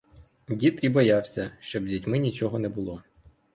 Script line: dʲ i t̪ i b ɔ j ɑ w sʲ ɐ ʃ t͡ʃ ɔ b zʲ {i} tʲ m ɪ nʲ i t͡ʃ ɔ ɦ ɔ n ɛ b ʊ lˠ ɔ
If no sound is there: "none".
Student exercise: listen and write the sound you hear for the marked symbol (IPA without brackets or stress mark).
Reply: i